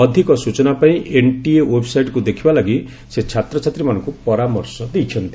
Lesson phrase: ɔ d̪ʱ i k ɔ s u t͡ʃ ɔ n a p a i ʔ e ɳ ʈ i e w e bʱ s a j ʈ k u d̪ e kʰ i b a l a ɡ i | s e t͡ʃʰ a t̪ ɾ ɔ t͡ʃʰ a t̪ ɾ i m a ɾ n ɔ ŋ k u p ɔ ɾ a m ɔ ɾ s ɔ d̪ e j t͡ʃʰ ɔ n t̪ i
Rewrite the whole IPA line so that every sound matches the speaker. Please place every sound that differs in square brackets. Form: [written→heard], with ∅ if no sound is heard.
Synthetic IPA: ɔ d̪ʱ i k ɔ s u t͡ʃ ɔ n a p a [i→ĩ] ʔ e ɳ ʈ i e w e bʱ s a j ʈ k u d̪ e kʰ i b a l a ɡ i | s e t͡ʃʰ a t̪ ɾ ɔ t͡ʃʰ a t̪ ɾ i m a [ɾ→∅] n ɔ ŋ k u p ɔ ɾ a m ɔ ɾ s ɔ d̪ e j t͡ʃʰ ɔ n t̪ i